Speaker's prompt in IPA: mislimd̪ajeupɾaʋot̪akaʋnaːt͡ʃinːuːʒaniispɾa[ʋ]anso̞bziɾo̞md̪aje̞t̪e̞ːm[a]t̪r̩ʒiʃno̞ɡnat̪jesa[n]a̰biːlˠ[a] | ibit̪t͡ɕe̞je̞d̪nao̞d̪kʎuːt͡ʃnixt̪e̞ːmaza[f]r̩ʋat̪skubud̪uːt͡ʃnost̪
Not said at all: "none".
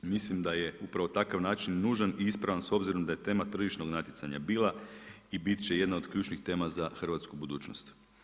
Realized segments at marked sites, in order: ʋ, a, ɲ, a, x

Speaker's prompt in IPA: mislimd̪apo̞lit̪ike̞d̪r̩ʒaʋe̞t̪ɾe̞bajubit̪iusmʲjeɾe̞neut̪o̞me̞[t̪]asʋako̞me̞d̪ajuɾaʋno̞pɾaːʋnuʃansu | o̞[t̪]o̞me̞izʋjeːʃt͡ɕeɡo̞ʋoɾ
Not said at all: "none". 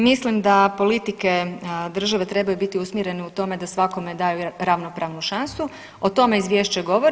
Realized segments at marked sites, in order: d̪, t̪

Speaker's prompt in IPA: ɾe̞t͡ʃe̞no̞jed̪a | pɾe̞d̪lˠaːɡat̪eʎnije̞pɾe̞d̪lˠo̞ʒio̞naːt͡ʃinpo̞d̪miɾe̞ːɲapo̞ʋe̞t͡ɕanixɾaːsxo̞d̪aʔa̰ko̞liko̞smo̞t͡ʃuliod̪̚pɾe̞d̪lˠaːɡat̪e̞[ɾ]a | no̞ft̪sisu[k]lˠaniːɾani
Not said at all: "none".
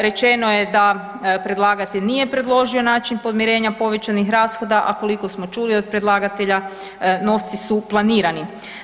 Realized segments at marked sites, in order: ʎ, p

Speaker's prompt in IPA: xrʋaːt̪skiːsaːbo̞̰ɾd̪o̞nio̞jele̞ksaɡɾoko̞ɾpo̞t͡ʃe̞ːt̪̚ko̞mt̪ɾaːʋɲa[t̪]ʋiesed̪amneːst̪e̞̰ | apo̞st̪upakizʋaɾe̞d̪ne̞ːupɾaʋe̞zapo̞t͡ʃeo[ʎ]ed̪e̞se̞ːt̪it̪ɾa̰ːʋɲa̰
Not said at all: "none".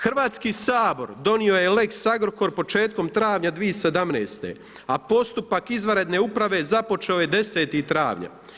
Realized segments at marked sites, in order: d̪, j

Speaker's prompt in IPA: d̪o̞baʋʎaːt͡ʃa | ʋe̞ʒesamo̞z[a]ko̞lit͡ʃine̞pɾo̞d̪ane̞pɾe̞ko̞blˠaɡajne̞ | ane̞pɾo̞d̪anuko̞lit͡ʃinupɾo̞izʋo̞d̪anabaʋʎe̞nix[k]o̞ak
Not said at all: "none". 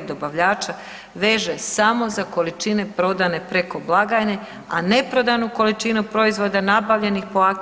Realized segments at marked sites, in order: a, p

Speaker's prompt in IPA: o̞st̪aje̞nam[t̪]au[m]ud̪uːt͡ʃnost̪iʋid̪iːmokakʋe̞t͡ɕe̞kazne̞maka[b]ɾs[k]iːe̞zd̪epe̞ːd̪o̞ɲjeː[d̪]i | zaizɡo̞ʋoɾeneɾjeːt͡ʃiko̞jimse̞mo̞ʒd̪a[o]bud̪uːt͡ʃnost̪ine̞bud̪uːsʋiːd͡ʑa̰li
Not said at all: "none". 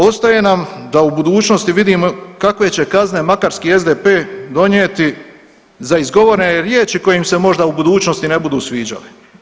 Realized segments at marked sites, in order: d̪, b, none, k, t̪, u

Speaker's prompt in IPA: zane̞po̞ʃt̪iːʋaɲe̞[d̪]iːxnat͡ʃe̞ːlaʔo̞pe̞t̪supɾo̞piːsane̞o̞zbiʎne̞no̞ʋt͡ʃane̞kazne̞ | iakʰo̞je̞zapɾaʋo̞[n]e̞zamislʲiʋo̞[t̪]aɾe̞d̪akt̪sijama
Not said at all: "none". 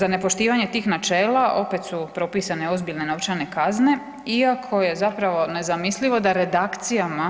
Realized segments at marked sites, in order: t̪, n, d̪

